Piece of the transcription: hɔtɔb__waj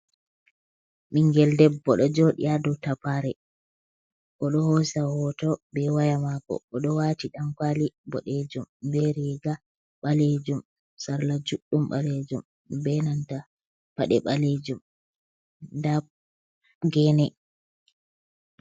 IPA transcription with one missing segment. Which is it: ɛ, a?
ɛ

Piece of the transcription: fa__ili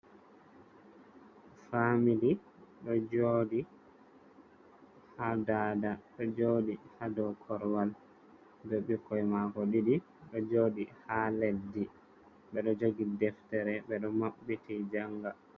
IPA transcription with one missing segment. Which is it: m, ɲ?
m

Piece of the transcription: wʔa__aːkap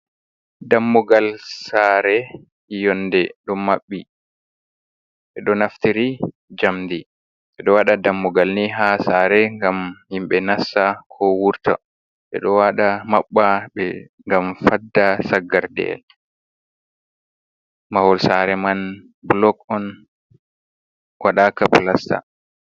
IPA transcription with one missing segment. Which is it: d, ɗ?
ɗ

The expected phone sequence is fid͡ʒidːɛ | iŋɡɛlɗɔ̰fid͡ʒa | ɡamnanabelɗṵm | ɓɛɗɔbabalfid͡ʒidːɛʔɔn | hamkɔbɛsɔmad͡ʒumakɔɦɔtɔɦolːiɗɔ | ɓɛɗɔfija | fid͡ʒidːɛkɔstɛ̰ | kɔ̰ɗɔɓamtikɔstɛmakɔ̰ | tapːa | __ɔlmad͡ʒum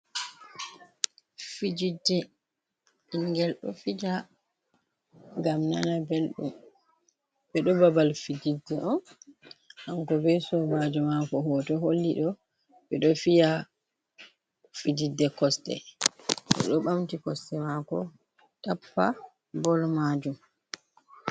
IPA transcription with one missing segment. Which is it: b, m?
b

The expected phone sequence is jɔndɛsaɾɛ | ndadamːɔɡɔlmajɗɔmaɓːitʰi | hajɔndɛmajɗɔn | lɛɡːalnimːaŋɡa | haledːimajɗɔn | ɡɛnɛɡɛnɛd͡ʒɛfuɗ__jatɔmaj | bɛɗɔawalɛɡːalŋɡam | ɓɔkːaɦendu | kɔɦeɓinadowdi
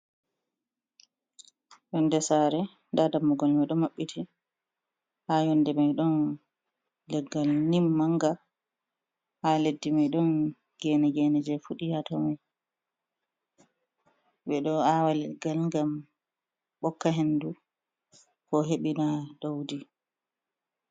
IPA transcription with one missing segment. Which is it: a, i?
i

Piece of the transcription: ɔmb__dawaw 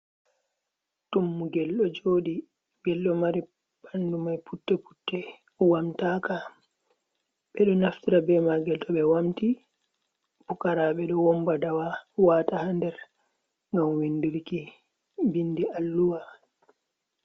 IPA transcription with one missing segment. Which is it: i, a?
a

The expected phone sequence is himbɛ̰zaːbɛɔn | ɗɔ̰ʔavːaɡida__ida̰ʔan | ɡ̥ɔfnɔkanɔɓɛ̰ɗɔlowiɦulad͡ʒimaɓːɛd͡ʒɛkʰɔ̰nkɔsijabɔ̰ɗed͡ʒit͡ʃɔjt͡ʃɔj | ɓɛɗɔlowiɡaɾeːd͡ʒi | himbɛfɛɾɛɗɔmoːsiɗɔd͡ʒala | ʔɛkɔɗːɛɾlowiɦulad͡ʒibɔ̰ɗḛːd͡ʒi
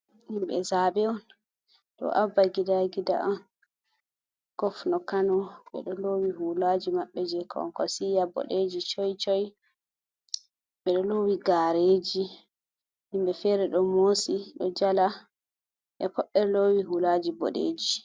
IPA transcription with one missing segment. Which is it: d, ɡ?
ɡ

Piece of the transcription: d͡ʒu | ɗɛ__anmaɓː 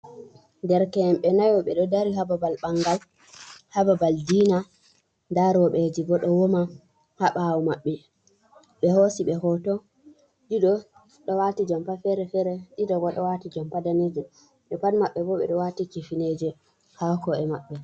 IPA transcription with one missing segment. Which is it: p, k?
p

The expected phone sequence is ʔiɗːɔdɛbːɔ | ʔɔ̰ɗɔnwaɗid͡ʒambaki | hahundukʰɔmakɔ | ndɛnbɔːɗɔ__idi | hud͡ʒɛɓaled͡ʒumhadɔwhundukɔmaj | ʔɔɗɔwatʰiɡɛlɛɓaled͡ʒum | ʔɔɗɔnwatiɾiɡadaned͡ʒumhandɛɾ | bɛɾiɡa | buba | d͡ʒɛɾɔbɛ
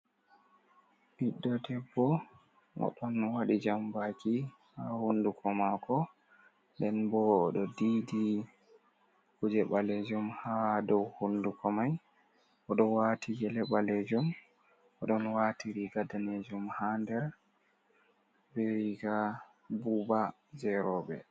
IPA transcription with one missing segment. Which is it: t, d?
d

